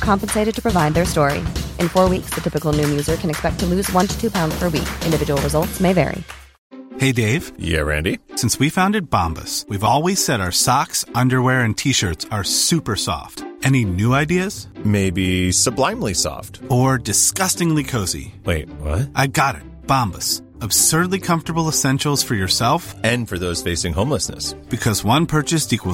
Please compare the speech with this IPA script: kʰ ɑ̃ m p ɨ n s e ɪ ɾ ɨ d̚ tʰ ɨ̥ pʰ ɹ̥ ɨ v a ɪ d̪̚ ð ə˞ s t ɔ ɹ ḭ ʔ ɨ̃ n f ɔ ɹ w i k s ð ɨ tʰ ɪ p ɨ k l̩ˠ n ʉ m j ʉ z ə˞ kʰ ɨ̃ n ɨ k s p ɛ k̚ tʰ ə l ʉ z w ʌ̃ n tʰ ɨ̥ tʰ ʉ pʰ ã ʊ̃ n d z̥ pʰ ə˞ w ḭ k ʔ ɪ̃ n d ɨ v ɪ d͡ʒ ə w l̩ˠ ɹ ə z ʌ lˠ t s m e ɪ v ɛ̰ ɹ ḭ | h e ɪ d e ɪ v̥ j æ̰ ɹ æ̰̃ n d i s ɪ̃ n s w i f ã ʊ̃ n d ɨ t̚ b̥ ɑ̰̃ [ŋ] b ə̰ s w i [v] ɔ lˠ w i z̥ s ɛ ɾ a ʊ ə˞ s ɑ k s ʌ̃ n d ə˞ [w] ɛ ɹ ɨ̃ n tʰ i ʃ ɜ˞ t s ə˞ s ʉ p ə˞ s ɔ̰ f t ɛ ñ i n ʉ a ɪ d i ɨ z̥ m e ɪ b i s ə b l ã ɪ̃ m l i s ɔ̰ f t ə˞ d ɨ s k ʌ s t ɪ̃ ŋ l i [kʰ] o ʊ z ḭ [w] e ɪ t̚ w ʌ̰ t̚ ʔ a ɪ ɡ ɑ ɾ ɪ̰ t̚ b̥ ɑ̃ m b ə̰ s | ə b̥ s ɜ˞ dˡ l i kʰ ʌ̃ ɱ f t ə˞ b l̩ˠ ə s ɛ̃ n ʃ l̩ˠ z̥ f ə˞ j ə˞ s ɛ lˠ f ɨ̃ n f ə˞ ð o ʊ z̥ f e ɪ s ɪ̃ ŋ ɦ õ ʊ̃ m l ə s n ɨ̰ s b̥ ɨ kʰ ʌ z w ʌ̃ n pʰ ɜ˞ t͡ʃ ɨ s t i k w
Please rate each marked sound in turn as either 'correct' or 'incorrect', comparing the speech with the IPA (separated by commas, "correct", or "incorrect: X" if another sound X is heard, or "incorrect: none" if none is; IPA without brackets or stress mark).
incorrect: m, correct, correct, correct, correct